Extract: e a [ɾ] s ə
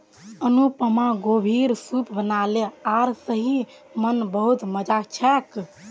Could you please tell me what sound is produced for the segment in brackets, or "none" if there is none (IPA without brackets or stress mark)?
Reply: ɾ